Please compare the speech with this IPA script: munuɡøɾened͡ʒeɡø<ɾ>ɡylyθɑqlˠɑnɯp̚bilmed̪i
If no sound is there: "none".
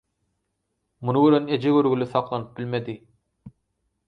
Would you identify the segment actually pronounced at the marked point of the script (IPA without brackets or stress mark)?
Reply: ɾ